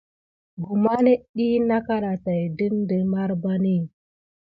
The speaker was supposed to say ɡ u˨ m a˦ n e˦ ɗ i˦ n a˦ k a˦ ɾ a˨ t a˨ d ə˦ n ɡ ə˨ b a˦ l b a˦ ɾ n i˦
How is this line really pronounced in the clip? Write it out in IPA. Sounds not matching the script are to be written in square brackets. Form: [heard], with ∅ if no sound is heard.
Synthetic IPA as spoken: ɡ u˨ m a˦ n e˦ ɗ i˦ n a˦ k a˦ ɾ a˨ t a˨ d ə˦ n [d] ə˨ [m] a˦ [ɾ] b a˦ [∅] n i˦